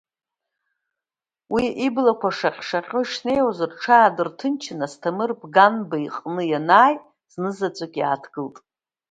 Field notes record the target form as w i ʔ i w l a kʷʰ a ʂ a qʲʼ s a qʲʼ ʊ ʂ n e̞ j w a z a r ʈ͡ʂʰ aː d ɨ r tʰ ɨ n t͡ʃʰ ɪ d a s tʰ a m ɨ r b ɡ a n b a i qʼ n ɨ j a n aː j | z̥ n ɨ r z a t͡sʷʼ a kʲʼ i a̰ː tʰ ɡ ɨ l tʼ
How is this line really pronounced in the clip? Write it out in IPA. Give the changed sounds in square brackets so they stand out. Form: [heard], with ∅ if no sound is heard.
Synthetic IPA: w i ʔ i [b] l a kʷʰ a ʂ a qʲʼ [ʂ] a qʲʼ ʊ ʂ n e̞ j w a z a r ʈ͡ʂʰ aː d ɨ r tʰ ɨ n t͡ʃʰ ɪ [n] a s tʰ a m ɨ r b ɡ a n b a i qʼ n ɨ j a n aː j | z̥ n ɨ [∅] z a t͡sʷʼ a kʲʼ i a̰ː tʰ ɡ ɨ l tʼ